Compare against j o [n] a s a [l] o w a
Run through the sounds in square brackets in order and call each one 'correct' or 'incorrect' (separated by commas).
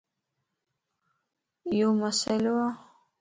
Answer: incorrect, correct